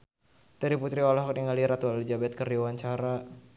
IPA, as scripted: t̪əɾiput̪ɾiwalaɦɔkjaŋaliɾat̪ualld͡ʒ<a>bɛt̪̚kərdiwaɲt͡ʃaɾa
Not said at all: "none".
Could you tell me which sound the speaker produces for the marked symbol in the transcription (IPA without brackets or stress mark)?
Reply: a